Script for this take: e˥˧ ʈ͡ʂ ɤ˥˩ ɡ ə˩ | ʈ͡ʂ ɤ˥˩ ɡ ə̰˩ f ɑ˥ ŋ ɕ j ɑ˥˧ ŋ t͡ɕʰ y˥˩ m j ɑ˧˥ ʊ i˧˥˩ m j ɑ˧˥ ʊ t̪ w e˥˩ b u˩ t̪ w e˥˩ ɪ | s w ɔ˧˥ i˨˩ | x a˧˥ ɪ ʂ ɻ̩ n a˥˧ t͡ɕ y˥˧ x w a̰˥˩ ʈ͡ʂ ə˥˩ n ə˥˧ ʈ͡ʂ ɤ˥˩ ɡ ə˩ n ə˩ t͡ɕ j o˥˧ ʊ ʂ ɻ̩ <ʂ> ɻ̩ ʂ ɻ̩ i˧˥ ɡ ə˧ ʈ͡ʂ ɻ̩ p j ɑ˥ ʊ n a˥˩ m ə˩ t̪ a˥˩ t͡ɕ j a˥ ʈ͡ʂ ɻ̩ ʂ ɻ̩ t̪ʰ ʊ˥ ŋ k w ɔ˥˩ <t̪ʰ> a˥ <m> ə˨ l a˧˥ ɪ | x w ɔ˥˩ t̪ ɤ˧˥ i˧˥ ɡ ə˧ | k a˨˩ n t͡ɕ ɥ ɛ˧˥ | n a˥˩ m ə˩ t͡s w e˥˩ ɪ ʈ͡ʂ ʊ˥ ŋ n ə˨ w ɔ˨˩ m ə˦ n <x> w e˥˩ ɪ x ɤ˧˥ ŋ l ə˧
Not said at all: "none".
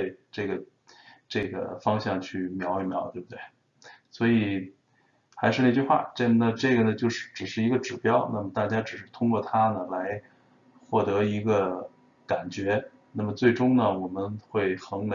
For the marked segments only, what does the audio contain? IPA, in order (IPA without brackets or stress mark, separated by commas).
ʈ͡ʂ, t̪ʰ, n, x